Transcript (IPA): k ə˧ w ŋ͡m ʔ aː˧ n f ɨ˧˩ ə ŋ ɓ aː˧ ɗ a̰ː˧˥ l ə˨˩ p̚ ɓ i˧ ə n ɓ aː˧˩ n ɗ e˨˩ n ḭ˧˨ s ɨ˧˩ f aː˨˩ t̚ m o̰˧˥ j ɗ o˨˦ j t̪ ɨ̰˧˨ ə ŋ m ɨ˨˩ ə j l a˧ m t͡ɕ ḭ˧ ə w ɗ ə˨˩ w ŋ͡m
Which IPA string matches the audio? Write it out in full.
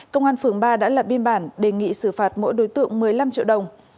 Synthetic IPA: k ə˧ w ŋ͡m ʔ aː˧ n f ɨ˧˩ ə ŋ ɓ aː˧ ɗ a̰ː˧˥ l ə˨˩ p̚ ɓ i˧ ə n ɓ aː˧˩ n ɗ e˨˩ ŋ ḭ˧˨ s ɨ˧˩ f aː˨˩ t̚ m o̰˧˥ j ɗ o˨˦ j t̪ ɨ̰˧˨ ə ŋ m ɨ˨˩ ə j l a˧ m t͡ɕ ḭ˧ ə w ɗ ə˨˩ w ŋ͡m

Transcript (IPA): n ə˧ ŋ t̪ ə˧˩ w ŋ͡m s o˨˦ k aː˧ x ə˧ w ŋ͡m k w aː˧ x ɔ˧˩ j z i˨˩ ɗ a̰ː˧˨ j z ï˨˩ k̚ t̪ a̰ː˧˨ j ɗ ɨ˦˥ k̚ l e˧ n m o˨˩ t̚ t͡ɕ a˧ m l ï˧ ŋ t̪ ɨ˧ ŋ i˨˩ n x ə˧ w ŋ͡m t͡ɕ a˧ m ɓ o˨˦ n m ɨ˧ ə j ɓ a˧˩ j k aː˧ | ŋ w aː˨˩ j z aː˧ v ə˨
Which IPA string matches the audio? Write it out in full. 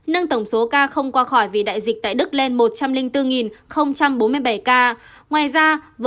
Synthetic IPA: n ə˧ ŋ t̪ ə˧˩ w ŋ͡m s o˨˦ k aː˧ x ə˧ w ŋ͡m k w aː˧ x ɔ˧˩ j v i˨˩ ɗ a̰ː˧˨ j z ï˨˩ k̚ t̪ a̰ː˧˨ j ɗ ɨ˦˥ k̚ l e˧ n m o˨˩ t̚ t͡ɕ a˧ m l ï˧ ŋ t̪ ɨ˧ ŋ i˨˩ n x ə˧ w ŋ͡m t͡ɕ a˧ m ɓ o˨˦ n m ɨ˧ ə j ɓ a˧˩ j k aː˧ | ŋ w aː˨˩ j z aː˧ v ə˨

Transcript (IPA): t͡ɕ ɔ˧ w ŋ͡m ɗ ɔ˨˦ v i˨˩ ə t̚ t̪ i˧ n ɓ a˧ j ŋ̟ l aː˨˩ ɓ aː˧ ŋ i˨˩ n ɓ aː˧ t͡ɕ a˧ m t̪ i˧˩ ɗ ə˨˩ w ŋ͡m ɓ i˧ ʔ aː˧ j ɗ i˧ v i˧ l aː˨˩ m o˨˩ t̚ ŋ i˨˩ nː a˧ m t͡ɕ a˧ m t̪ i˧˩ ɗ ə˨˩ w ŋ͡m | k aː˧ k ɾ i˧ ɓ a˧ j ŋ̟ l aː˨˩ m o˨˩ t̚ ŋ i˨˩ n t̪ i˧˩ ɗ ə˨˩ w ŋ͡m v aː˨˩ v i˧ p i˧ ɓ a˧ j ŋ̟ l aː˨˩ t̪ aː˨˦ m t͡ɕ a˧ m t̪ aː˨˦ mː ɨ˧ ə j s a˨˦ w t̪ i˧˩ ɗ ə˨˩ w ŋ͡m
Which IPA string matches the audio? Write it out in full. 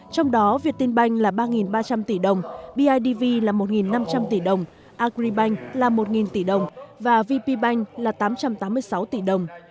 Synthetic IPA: t͡ɕ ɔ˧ w ŋ͡m ɗ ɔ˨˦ v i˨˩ ə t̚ t̪ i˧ n ɓ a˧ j ŋ̟ l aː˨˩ ɓ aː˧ ŋ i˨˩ n ɓ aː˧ t͡ɕ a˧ m t̪ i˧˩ ɗ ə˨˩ w ŋ͡m ɓ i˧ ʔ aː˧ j ɗ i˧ v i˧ l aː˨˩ m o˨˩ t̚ ŋ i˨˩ nː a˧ m t͡ɕ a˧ m t̪ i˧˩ ɗ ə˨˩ w ŋ͡m | ʔ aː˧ k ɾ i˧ ɓ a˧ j ŋ̟ l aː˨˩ m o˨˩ t̚ ŋ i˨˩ n t̪ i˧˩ ɗ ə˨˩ w ŋ͡m v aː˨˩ v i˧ p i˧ ɓ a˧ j ŋ̟ l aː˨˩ t̪ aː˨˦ m t͡ɕ a˧ m t̪ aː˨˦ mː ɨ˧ ə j s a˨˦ w t̪ i˧˩ ɗ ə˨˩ w ŋ͡m

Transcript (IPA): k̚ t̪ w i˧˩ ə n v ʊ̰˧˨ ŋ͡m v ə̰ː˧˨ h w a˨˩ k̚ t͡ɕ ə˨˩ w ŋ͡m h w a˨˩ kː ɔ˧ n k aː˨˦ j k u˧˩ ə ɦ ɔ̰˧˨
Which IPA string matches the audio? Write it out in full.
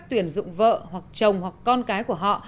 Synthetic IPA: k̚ t̪ w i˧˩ ə n z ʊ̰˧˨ ŋ͡m v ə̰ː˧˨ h w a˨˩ k̚ t͡ɕ ə˨˩ w ŋ͡m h w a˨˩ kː ɔ˧ n k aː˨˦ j k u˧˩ ə ɦ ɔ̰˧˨

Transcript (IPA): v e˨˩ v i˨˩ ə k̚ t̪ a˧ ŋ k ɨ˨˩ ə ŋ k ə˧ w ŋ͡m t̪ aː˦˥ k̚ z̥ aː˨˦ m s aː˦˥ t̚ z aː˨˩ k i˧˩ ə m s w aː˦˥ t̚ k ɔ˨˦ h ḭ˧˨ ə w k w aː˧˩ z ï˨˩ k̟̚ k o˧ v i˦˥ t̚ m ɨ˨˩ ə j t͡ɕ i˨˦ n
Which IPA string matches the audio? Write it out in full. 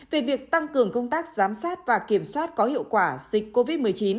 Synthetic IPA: v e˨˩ v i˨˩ ə k̚ t̪ a˧ ŋ k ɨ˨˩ ə ŋ k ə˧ w ŋ͡m t̪ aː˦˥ k̚ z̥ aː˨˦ m s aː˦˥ t̚ v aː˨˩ k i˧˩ ə m s w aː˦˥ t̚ k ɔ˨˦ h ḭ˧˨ ə w k w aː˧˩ z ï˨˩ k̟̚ k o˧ v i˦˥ t̚ m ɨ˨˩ ə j t͡ɕ i˨˦ n

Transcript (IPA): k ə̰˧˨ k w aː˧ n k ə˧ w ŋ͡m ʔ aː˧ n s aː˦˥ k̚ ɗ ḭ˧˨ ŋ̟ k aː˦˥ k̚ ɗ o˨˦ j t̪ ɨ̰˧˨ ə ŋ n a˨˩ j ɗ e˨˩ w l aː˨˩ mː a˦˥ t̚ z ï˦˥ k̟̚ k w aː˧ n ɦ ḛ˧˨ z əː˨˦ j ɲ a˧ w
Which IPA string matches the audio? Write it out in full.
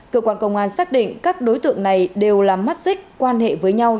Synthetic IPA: k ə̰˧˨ k w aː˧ n k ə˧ w ŋ͡m ʔ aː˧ n s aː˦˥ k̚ ɗ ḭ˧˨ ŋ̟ k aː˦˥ k̚ ɗ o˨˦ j t̪ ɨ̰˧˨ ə ŋ n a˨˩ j ɗ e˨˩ w l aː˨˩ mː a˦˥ t̚ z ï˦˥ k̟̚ k w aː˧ n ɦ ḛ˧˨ v əː˨˦ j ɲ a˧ w

